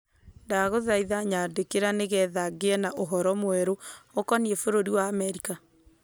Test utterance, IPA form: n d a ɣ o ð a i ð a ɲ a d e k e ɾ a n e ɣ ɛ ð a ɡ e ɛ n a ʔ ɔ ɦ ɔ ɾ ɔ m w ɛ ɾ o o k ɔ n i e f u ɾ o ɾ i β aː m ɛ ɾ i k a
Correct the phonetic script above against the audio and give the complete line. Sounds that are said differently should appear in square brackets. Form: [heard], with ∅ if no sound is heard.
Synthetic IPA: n d a ɣ o ð a i ð a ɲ a d e k e ɾ a n e ɣ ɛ ð a ɡ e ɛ n a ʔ [o] ɦ ɔ ɾ ɔ m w ɛ ɾ o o k ɔ n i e f [o] ɾ o ɾ i [w] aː m ɛ ɾ i k a